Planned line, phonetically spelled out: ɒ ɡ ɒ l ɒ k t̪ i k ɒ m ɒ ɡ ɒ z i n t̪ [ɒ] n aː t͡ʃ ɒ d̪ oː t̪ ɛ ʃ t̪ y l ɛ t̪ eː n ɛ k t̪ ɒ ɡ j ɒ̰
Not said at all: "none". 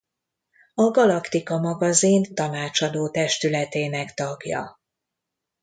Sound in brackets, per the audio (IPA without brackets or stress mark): ɒ